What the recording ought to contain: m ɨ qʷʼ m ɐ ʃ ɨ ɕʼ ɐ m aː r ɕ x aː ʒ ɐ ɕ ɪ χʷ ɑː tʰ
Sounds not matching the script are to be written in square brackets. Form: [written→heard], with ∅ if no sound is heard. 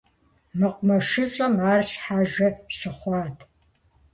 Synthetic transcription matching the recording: m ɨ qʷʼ m ɐ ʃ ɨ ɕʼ ɐ m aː r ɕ [x→ħ] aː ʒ ɐ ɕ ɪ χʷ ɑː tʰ